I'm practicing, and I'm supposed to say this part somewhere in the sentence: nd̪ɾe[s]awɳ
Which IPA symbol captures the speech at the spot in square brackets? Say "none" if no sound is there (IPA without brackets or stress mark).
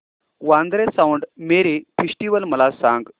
s